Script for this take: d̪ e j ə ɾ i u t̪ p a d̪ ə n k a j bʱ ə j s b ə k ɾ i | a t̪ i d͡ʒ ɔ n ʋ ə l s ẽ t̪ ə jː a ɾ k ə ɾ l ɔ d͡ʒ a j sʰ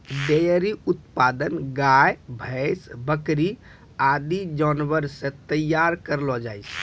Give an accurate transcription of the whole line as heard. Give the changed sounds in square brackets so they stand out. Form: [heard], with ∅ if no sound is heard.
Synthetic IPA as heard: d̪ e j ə ɾ i u t̪ p a d̪ ə n [ɡ] a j bʱ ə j s b ə k ɾ i | a [d̪] i d͡ʒ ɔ n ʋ ə [ɾ] s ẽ t̪ ə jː a ɾ k ə ɾ l ɔ d͡ʒ a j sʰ